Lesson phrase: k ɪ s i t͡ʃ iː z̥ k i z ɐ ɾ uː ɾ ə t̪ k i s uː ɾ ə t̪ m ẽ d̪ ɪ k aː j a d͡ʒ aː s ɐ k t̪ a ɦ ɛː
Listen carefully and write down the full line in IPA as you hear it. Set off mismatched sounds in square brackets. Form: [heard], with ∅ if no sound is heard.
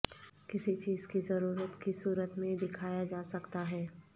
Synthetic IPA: k ɪ s i t͡ʃ iː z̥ k i z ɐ ɾ uː ɾ ə t̪ k i s uː ɾ ə t̪ m ẽ d̪ ɪ [kʰ] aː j a d͡ʒ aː s ɐ k t̪ a ɦ ɛː